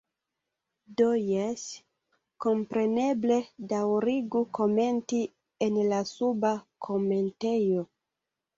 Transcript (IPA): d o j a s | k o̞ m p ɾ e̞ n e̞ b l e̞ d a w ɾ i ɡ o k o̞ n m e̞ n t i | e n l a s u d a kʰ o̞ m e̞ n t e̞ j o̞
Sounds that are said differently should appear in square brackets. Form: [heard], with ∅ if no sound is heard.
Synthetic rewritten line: d o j [e] s | k o̞ m p ɾ e̞ n e̞ b l e̞ d a w ɾ i ɡ [u] k o̞ [∅] m e̞ n t i | e n l a s u [b] a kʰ o̞ m e̞ n t e̞ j o̞